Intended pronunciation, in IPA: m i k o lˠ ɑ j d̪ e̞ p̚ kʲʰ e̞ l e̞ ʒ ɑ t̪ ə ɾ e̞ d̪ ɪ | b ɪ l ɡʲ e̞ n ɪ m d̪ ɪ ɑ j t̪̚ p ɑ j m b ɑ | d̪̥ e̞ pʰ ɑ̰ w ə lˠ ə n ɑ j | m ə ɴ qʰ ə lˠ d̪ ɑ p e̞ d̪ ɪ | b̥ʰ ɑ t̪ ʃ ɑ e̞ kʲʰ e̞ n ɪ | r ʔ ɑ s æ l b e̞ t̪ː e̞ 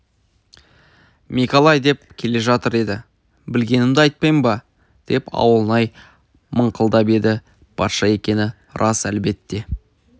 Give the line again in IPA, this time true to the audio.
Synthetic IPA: m i k o lˠ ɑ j d̪ e̞ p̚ kʲʰ e̞ l e̞ ʒ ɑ t̪ ə ɾ e̞ d̪ ɪ | b ɪ l ɡʲ e̞ n ɪ m d̪ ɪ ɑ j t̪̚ p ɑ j m b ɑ | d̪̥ e̞ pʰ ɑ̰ w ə lˠ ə n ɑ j | m ə ɴ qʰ ə lˠ d̪ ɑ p e̞ d̪ ɪ | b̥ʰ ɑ t̪ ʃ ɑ e̞ kʲ e̞ n ɪ | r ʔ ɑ s æ l b e̞ t̪ː e̞

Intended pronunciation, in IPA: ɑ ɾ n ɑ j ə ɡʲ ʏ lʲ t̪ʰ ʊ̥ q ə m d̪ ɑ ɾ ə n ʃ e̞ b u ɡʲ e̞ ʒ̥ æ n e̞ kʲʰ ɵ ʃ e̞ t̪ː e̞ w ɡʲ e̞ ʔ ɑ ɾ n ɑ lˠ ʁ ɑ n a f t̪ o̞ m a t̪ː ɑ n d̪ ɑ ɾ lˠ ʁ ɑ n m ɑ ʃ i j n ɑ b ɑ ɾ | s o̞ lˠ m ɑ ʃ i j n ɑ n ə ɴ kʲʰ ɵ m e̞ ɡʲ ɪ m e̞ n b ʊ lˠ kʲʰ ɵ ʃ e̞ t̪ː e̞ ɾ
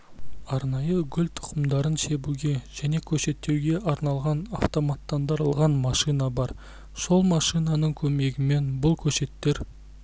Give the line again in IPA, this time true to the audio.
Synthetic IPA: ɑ ɾ n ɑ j ə ɡʲ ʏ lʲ t̪ʰ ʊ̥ q ə m d̪ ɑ ɾ ə n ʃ e̞ b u ɡʲ e̞ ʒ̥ æ n e̞ kʲʰ ɵ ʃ e̞ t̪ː e̞ w ɡʲ e̞ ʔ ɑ ɾ n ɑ lˠ ʁ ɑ n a f t̪ o̞ m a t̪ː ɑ n d̪ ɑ ɾ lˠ ʁ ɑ n m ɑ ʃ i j n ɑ b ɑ ɾ | s o̞ lˠ m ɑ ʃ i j n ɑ n ə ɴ kʲʰ ɵ m e̞ ɡʲ ɪ m e̞ n b ʊ lˠ kʲʰ ɵ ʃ e̞ t̪ː e̞ ɾ

